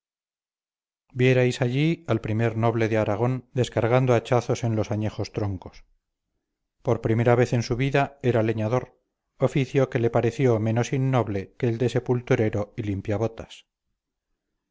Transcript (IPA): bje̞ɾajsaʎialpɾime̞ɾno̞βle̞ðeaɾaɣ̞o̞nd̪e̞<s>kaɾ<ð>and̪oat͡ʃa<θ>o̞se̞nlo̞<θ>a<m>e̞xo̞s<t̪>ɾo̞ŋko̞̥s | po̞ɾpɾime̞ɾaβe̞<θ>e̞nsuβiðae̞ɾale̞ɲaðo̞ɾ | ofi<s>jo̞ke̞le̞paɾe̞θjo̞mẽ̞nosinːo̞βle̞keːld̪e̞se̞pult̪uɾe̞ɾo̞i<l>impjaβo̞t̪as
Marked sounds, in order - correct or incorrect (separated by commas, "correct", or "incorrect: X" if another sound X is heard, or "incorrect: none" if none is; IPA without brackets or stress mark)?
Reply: correct, incorrect: ɣ, correct, incorrect: s, incorrect: ɲ, correct, correct, incorrect: θ, correct